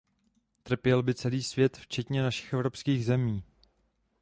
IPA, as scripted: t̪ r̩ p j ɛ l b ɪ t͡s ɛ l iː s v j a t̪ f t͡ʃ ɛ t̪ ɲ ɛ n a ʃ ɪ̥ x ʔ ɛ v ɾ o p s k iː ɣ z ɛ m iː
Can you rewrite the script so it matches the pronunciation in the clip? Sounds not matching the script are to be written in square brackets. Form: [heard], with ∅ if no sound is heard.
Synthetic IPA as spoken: t̪ r̩ p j ɛ l b ɪ t͡s ɛ l iː s v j [ɛ] t̪ f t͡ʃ ɛ t̪ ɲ ɛ n a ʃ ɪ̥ x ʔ ɛ v ɾ o p s k iː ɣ z ɛ m iː